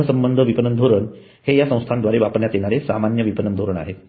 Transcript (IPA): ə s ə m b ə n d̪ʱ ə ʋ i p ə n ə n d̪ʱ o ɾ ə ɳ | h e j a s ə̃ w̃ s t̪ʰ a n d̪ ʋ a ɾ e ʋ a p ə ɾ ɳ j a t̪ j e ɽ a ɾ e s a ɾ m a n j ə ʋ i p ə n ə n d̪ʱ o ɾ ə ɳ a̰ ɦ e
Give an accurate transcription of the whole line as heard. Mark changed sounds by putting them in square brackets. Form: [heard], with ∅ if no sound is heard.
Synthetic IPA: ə s ə m b ə n d̪ʱ ə ʋ i p ə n ə n d̪ʱ o ɾ ə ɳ | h e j a s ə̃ w̃ s t̪ʰ a n d̪ ʋ a ɾ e ʋ a p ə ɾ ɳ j a t̪ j e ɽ a ɾ e s a [∅] m a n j ə ʋ i p ə n ə n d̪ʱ o ɾ ə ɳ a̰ ɦ e